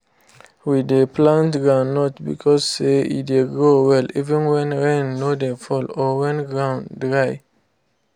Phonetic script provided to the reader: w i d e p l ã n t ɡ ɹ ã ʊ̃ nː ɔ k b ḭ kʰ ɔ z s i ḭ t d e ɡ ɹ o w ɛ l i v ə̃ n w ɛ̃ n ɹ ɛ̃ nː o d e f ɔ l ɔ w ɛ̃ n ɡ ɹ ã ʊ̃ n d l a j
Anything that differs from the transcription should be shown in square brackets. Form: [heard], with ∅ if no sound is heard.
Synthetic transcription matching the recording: w i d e p l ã n t ɡ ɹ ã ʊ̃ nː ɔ [t] b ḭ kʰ ɔ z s [e] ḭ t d e ɡ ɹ o w ɛ l i v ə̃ n w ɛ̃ n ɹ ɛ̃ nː o d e f ɔ l ɔ w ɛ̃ n ɡ ɹ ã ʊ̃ n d [ɹ] a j